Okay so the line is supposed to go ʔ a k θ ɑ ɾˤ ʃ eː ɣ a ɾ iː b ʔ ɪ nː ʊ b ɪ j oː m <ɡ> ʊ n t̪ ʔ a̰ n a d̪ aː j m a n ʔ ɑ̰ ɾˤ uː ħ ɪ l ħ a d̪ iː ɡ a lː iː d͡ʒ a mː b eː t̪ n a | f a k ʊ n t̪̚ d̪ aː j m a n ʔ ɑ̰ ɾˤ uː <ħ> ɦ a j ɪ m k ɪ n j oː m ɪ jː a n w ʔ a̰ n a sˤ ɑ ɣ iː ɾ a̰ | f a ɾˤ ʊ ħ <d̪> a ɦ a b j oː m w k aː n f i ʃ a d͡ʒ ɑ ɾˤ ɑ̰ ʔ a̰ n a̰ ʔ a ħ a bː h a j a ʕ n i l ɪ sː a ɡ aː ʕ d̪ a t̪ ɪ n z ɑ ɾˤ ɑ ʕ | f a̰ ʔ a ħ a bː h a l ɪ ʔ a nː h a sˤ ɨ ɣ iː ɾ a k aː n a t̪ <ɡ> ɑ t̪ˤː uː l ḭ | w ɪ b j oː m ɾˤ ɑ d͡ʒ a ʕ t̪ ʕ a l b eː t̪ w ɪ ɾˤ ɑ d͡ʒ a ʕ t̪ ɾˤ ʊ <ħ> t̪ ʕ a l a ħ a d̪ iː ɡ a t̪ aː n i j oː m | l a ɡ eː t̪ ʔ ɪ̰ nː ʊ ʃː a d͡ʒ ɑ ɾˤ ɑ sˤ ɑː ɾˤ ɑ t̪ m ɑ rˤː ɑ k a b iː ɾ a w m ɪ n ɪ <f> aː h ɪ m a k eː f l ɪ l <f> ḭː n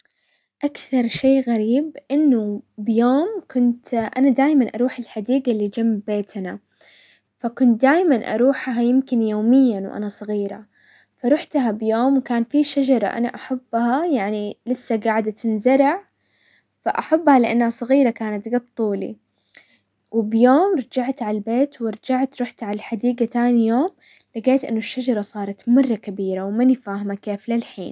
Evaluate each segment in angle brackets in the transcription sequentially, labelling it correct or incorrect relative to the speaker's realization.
incorrect: k, correct, incorrect: t̪, correct, correct, correct, incorrect: ħ

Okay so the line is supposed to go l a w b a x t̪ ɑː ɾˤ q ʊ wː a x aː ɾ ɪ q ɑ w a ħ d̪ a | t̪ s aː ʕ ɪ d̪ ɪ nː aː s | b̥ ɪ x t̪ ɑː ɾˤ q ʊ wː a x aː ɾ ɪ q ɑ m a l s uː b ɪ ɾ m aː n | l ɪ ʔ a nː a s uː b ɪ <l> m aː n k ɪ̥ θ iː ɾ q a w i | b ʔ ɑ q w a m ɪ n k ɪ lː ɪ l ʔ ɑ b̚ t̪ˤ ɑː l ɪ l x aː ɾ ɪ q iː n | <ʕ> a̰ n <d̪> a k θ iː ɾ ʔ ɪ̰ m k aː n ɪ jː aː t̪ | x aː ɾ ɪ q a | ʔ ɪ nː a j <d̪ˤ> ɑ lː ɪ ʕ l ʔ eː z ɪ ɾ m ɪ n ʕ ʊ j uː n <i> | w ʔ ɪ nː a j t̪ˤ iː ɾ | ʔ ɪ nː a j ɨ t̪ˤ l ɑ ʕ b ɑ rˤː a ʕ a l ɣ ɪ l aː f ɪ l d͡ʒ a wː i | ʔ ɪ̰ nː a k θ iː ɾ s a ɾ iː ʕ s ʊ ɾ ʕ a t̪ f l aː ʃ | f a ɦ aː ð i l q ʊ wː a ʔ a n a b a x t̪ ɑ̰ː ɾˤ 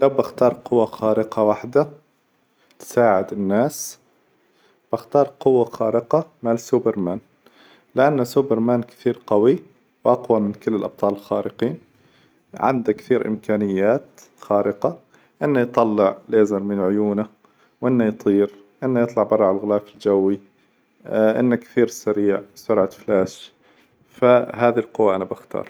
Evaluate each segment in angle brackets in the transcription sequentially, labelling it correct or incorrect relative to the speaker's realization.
incorrect: ɾ, correct, correct, incorrect: t̪ˤ, incorrect: a

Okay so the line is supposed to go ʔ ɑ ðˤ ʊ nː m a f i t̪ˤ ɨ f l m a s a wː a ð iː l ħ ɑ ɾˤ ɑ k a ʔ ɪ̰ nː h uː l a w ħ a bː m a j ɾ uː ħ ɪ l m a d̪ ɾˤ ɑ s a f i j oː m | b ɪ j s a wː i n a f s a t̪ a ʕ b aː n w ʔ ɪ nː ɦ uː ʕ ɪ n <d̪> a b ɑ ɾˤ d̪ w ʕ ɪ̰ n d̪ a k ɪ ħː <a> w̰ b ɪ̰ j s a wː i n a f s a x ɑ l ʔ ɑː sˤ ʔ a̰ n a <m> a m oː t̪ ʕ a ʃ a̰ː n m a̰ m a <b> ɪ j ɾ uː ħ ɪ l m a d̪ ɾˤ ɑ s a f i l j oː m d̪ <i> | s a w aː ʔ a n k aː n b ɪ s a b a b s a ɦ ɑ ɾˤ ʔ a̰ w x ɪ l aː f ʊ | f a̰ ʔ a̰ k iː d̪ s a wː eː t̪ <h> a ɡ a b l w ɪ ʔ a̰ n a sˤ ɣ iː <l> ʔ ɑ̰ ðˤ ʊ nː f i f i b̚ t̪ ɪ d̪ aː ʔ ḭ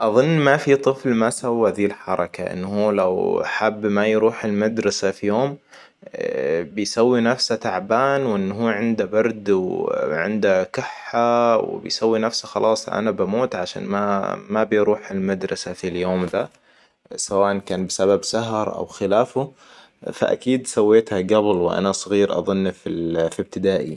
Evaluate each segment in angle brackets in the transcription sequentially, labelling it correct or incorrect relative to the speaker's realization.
correct, correct, incorrect: b, correct, incorrect: a, correct, incorrect: ɾ

